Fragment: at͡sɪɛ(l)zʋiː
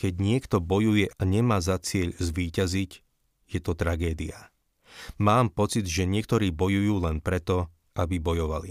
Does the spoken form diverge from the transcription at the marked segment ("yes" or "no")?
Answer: yes